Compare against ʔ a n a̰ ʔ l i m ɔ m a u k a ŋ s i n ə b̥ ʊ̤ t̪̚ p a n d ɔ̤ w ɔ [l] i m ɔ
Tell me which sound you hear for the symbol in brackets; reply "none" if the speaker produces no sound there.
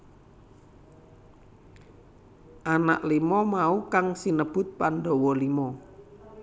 l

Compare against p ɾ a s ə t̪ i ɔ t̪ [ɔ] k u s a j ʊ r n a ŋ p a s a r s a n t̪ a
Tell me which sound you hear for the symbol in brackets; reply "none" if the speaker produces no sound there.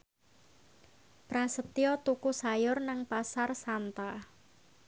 u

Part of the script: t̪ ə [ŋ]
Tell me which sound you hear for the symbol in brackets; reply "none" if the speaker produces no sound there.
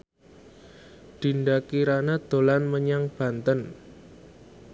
n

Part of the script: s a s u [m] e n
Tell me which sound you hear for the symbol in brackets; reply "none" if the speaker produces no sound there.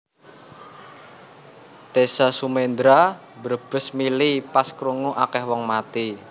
m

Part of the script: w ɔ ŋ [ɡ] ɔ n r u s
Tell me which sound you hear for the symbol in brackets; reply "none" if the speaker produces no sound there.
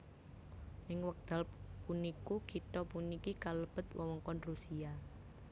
k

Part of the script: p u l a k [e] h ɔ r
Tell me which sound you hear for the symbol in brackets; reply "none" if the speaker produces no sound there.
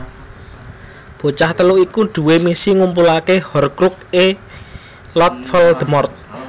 e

